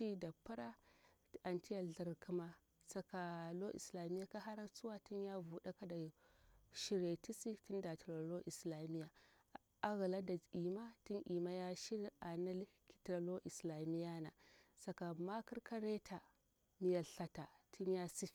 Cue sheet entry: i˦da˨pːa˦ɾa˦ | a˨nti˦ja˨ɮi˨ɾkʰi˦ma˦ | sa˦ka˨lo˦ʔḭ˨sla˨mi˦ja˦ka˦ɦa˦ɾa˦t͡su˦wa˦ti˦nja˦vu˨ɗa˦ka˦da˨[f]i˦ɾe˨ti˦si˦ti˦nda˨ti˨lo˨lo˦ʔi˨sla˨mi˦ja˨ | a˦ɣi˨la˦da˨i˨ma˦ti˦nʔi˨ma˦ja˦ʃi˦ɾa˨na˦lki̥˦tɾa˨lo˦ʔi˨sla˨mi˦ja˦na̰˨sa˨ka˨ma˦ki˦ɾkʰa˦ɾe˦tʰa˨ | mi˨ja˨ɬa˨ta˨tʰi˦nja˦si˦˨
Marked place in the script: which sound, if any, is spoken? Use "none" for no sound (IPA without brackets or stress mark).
ʃ